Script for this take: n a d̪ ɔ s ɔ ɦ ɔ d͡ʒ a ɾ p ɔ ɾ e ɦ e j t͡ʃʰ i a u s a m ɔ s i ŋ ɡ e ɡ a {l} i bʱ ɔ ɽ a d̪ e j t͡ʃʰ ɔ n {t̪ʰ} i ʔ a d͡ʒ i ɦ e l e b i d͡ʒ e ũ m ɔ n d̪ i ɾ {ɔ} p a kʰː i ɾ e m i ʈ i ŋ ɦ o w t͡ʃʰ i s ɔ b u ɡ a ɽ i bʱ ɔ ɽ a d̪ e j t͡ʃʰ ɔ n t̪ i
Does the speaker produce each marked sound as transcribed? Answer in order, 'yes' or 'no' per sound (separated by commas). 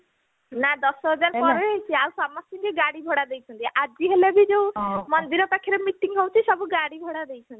no, no, yes